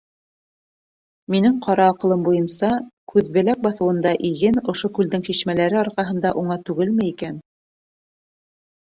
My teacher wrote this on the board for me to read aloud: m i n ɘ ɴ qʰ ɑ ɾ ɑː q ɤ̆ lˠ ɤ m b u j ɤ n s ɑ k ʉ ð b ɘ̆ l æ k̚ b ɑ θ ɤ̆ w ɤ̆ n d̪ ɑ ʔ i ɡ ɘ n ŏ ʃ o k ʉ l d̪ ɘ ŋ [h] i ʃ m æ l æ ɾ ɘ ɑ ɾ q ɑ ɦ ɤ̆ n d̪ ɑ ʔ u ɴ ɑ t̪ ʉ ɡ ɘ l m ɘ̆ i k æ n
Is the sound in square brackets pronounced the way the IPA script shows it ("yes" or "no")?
no